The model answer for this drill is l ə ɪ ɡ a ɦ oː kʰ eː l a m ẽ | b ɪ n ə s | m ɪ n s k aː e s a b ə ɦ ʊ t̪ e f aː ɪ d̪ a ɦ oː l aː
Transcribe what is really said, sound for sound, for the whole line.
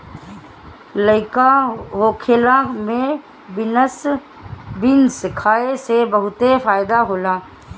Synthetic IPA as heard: l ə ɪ k a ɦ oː kʰ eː l a m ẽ | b ɪ n ə s | b ɪ n s kʰ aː e s e b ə ɦ ʊ t̪ e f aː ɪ d̪ a ɦ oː l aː